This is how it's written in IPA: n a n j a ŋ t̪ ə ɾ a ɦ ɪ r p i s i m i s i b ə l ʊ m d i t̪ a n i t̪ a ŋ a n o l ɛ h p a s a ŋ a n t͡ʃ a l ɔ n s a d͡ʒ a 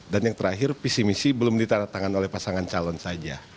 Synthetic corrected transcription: d a n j a ŋ t̪ ə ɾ a ɦ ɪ r p i s i m i s i b ə l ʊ m d i t̪ a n a t̪ a ŋ a n o l ɛ h p a s a ŋ a n t͡ʃ a l ɔ n s a d͡ʒ a